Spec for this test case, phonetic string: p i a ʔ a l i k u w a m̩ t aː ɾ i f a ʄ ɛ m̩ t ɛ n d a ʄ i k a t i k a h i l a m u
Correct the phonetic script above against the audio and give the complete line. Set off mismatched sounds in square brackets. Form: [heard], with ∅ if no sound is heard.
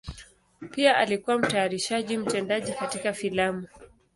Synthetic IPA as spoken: p i a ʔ a l i k u w a m̩ t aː ɾ i [ʃ] a ʄ [i] m̩ t ɛ n d a ʄ i k a t i k a [f] i l a m u